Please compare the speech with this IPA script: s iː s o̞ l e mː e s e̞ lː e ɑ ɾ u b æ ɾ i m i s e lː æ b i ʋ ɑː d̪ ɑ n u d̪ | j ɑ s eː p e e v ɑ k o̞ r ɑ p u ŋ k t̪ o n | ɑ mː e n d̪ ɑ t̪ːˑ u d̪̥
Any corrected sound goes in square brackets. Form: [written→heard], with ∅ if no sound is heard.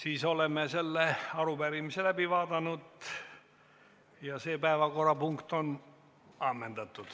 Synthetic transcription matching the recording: s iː s o̞ l e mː e s e̞ lː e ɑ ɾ u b æ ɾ i m i s e [lː→l] æ b i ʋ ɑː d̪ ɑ n u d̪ | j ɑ s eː p [e→æ] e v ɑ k o̞ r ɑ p u ŋ k t̪ o n | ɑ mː e n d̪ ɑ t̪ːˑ u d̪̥